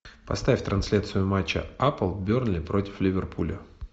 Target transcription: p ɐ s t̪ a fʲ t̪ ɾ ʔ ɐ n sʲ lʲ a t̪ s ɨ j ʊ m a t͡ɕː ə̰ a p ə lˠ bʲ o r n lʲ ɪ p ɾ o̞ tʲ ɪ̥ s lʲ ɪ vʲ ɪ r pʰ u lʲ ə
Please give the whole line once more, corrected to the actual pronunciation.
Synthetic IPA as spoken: p ɐ s t̪ a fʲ t̪ ɾ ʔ ɐ n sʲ lʲ a t̪ s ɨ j ʊ m a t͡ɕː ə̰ a p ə lˠ bʲ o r n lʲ ɪ p ɾ o̞ tʲ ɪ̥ f lʲ ɪ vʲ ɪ r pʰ u lʲ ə